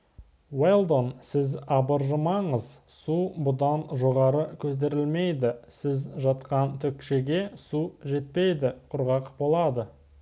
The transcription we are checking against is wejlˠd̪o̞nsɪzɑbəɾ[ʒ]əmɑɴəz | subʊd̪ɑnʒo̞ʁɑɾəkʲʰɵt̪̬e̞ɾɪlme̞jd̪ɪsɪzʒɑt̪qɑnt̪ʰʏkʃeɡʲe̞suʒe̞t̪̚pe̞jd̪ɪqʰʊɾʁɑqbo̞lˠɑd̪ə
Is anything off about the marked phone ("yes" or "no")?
no